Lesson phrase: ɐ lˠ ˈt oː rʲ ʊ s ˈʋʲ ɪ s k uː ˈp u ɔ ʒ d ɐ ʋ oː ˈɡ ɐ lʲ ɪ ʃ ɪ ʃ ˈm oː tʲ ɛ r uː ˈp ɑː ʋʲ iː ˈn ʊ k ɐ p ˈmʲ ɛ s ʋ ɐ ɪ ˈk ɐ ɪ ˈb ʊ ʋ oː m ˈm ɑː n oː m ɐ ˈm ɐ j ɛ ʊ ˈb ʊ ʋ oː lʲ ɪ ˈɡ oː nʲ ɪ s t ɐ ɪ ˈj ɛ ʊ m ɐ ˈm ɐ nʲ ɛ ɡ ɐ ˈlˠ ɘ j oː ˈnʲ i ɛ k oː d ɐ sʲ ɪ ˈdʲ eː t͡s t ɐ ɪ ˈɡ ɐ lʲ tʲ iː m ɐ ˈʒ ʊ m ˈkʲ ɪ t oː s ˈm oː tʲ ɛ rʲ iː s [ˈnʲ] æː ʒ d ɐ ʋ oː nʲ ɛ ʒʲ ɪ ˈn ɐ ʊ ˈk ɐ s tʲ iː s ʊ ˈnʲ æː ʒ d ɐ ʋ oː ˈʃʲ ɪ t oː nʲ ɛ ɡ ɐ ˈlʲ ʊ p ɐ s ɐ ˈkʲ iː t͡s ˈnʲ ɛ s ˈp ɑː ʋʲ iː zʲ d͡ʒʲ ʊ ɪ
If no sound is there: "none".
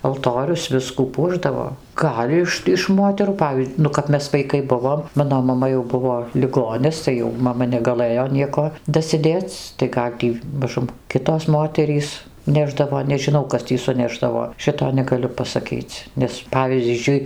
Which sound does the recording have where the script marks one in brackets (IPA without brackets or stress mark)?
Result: nʲ